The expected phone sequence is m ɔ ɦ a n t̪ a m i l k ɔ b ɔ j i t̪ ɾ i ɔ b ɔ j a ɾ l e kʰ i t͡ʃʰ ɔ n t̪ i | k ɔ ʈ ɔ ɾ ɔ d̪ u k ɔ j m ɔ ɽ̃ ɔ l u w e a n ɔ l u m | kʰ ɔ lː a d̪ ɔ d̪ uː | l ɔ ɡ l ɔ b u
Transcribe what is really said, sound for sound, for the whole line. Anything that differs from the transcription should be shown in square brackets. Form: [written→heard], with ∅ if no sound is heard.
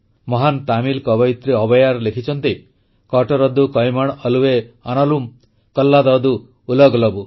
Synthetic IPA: m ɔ ɦ a n t̪ a m i l k ɔ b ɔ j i t̪ ɾ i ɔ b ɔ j a ɾ l e kʰ i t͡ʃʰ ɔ n t̪ i | k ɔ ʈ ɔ ɾ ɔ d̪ u k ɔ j m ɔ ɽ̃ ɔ l u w e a n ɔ l u m | [kʰ→k] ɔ lː a d̪ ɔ d̪ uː | l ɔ ɡ l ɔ b u